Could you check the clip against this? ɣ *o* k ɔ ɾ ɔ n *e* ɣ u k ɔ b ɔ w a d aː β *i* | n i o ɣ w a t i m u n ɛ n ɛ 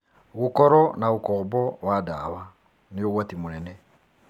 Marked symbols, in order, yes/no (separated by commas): no, no, no